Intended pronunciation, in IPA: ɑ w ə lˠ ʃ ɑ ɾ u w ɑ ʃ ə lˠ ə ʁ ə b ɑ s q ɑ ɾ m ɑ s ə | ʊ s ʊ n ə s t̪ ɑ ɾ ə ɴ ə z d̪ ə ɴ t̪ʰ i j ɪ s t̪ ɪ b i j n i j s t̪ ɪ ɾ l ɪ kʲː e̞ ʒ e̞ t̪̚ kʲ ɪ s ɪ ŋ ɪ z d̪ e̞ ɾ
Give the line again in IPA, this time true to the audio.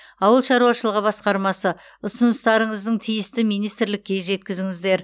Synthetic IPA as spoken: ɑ w ə lˠ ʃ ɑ ɾ u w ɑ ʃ ə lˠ ə ʁ ə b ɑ s q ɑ ɾ m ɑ s ə | ʊ s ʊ n ə s t̪ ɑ ɾ ə ɴ ə z d̪ ə ɴ t̪ʰ i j ɪ s t̪ ɪ m i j n i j s t̪ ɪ ɾ l ɪ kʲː e̞ ʒ e̞ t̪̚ kʲ ɪ z ɪ ŋ ɪ z d̪ e̞ ɾ